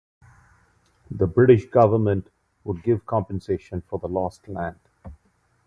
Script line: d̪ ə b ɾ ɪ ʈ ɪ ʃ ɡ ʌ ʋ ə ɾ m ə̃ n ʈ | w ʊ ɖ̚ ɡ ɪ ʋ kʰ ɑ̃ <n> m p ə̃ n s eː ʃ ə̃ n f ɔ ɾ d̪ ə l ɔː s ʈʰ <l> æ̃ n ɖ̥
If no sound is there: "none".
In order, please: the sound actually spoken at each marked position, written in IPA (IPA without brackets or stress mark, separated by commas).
none, l